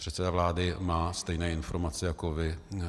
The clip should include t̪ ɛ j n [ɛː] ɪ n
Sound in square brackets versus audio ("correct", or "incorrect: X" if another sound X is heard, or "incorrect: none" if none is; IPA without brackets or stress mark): correct